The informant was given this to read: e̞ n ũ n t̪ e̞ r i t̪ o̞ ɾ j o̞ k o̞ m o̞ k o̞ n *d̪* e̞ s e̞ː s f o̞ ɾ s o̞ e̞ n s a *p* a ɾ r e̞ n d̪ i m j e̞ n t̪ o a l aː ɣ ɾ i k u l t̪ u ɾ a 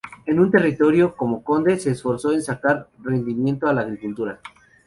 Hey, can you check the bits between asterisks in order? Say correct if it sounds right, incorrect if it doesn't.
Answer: correct, incorrect: k

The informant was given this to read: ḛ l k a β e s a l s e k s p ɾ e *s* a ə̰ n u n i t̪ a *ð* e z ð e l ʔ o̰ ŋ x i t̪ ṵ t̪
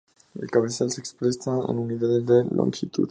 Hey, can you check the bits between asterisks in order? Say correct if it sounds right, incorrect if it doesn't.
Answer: correct, correct

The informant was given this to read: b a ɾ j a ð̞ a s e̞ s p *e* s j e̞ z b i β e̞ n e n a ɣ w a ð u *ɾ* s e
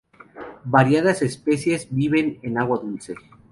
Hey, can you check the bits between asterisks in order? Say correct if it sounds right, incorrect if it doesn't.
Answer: correct, incorrect: l

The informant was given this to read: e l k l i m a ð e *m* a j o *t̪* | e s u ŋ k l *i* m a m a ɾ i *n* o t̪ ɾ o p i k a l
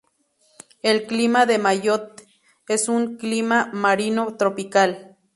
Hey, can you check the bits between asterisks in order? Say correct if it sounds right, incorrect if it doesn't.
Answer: correct, correct, correct, correct

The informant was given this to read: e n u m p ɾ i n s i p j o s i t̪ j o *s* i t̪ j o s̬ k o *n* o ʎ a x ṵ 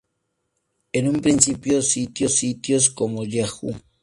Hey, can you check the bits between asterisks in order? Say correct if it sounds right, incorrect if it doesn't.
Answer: correct, incorrect: m

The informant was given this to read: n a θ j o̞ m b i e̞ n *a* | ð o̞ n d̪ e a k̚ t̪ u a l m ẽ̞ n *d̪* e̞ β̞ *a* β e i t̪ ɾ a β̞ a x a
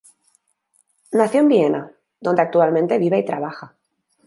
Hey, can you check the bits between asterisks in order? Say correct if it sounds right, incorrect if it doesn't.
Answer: correct, incorrect: t̪, incorrect: i

